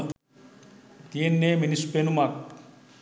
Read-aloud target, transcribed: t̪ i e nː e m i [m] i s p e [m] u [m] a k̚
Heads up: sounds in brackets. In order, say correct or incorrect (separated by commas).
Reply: incorrect, incorrect, correct